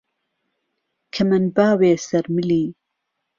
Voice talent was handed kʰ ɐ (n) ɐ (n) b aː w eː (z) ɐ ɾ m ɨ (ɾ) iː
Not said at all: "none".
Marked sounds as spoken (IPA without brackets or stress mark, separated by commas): m, n, s, l